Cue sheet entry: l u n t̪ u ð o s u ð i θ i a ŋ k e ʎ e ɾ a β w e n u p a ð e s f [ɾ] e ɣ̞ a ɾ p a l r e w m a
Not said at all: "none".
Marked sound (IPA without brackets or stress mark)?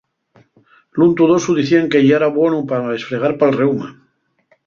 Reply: ɾ